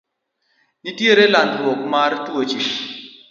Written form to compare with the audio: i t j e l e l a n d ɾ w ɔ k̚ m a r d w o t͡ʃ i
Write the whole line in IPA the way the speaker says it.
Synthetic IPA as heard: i t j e ɾ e l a n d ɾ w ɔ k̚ m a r t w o t͡ʃ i